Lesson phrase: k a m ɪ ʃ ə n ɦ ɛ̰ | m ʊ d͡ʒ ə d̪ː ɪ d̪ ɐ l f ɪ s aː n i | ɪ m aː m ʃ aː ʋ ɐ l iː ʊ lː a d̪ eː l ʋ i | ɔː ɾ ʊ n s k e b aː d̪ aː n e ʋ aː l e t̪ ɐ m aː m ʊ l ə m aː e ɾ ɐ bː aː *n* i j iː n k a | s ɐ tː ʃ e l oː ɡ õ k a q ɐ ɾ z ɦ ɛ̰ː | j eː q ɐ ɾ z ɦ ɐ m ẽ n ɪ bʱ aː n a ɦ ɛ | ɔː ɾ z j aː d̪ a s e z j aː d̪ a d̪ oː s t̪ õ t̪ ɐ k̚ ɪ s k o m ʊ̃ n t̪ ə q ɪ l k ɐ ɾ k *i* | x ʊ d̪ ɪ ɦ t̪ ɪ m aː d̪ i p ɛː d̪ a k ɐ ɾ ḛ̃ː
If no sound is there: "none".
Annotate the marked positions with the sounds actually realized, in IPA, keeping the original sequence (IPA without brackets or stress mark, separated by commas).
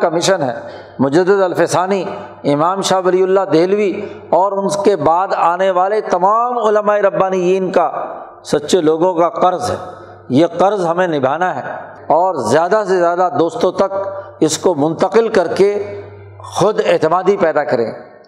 n, e